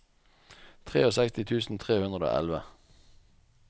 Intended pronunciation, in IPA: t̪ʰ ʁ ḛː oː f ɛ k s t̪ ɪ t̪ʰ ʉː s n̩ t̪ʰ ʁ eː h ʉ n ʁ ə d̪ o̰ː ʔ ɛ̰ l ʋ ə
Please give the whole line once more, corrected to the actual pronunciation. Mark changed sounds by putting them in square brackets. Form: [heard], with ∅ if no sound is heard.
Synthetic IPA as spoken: t̪ʰ ʁ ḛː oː [s] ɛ k s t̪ ɪ t̪ʰ ʉː s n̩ t̪ʰ ʁ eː h ʉ n ʁ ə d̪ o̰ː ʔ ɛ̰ l ʋ ə